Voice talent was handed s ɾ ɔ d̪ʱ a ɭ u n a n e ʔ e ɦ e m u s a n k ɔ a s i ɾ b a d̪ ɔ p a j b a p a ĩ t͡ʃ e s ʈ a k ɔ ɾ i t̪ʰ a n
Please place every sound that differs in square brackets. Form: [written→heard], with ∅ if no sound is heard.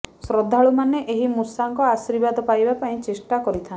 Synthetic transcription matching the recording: s ɾ ɔ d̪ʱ a ɭ u [n→m] a n e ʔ e ɦ [e→i] m u s a [n→ŋ] k ɔ a s i ɾ b a d̪ ɔ p a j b a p a ĩ t͡ʃ e s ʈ a k ɔ ɾ i t̪ʰ a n